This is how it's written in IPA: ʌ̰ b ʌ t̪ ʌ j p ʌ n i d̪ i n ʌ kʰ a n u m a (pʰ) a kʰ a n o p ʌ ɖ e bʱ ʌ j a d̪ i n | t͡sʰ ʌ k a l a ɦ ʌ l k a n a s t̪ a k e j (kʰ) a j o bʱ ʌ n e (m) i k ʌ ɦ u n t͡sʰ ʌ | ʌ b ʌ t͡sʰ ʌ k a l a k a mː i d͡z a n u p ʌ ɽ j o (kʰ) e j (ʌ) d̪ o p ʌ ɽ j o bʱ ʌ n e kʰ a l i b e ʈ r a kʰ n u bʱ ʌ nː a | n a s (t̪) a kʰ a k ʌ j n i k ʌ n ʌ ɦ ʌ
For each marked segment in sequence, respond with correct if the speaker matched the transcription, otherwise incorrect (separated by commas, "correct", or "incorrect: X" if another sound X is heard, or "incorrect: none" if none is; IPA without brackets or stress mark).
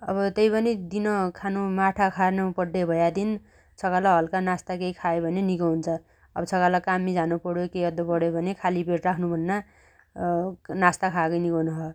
incorrect: ʈʰ, correct, incorrect: n, incorrect: k, correct, correct